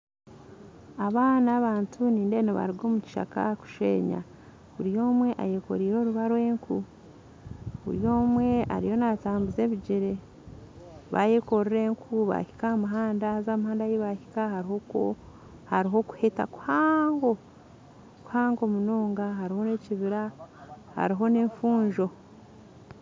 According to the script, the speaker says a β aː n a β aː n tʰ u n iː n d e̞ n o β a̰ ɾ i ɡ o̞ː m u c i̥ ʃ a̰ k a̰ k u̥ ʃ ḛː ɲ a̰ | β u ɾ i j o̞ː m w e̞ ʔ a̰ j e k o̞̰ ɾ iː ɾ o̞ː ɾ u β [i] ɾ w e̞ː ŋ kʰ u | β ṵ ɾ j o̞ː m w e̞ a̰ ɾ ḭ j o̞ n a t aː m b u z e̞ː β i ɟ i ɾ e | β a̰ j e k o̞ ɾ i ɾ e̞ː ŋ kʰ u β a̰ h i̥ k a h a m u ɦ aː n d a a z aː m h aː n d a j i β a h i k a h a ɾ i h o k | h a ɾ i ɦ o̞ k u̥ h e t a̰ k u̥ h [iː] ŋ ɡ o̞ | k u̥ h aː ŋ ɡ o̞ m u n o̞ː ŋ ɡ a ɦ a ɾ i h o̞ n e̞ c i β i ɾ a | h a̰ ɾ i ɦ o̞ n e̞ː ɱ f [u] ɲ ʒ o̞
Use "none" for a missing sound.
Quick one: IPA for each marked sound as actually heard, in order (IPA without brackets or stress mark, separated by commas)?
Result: a, aː, uː